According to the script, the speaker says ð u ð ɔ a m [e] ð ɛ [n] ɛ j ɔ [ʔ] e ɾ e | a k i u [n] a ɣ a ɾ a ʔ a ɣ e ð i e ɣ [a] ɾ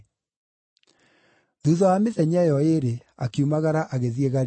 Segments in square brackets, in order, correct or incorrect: correct, incorrect, incorrect, incorrect, correct

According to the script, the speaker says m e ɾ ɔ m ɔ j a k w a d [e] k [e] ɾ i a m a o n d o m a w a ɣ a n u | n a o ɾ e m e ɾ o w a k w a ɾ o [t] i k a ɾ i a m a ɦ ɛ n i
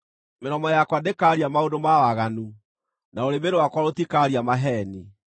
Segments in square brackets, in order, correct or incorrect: correct, incorrect, correct

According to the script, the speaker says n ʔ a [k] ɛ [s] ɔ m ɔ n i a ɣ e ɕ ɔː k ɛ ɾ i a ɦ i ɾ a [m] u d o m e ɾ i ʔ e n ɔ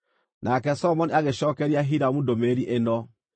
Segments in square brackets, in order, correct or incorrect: correct, correct, correct

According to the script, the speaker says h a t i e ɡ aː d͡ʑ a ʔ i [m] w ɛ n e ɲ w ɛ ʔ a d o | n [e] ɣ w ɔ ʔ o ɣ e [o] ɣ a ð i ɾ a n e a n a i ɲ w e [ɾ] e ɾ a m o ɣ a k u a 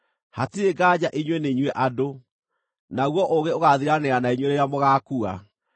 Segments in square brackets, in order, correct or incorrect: incorrect, incorrect, correct, correct

